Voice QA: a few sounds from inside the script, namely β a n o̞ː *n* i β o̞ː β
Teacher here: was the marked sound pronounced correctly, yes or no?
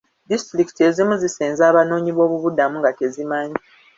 no